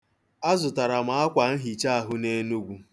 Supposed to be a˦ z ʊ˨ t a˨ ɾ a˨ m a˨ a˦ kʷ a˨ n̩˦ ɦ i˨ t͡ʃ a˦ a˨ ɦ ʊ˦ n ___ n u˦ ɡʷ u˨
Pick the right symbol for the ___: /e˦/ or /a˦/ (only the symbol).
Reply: e˦